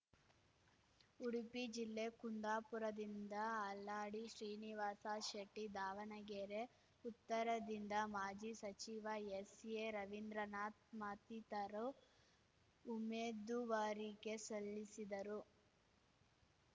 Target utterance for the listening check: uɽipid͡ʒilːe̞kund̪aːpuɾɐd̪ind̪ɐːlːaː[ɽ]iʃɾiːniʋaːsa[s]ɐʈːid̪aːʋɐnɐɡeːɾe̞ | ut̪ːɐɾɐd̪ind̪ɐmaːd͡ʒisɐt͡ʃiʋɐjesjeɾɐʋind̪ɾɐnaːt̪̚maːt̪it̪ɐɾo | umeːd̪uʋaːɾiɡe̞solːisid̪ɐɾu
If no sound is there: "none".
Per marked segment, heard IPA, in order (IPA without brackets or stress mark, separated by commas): ɽ, ʃ